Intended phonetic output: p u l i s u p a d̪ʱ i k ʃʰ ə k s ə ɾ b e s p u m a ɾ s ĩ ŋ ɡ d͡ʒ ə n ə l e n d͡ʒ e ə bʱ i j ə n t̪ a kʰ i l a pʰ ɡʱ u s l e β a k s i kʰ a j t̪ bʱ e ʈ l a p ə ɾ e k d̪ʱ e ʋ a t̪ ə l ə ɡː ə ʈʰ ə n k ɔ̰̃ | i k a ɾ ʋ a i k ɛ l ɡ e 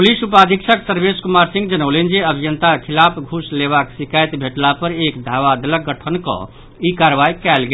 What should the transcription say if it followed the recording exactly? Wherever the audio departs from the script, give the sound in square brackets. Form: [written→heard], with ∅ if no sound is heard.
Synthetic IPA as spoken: p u l i s u p a d̪ʱ i k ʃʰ ə k s ə ɾ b e s [p→k] u m a ɾ s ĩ ŋ ɡ d͡ʒ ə n ə l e n d͡ʒ e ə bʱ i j ə n t̪ a kʰ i l a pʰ ɡʱ u s l e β a k s i [kʰ→k] a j t̪ bʱ e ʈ l a p ə ɾ e k d̪ʱ [e→a] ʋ a [t̪→d̪] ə l ə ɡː ə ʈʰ ə n k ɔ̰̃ | i k a ɾ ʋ a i k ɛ l ɡ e